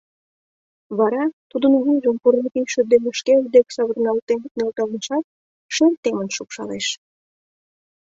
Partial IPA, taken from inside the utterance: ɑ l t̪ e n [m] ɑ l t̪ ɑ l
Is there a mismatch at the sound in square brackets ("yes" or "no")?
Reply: yes